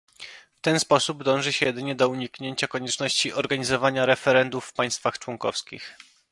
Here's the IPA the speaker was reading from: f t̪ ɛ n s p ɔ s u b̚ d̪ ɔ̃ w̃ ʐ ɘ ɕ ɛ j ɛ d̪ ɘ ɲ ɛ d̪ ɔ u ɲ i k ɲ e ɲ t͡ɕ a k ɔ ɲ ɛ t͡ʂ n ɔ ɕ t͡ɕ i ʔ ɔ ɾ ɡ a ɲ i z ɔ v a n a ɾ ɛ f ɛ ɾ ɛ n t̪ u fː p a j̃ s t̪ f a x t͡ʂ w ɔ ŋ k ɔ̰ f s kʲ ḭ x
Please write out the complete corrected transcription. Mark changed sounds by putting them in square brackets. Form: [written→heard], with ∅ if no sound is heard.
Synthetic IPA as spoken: f t̪ ɛ n s p ɔ s u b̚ d̪ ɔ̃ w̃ ʐ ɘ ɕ ɛ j ɛ d̪ ɘ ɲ ɛ d̪ ɔ u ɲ i k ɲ e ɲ t͡ɕ a k ɔ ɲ ɛ t͡ʂ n ɔ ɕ t͡ɕ i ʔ ɔ ɾ ɡ a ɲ i z ɔ v a [n→ɲ] a ɾ ɛ f ɛ ɾ ɛ n [t̪→d̪] u fː p a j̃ s t̪ f a x t͡ʂ w ɔ ŋ k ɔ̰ f s kʲ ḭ x